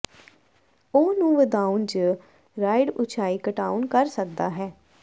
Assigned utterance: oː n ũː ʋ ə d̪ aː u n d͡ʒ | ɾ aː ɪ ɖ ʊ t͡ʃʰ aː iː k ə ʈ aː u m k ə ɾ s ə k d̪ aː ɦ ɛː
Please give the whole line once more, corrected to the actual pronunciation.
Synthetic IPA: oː n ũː ʋ ə d̪ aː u n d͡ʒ | ɾ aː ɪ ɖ ʊ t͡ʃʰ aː iː k ə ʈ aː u n k ə ɾ s ə k d̪ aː ɦ ɛː